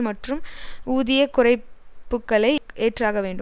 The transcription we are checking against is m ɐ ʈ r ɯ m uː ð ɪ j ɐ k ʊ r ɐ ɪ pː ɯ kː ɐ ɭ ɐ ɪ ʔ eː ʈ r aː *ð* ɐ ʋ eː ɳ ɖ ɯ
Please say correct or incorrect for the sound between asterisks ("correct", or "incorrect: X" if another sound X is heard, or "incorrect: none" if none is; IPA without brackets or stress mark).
incorrect: ɣ